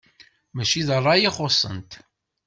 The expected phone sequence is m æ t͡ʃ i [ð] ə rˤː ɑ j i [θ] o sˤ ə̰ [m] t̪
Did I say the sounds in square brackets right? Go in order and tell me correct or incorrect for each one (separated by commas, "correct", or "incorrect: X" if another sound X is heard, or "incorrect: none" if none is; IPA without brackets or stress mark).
correct, incorrect: χ, incorrect: n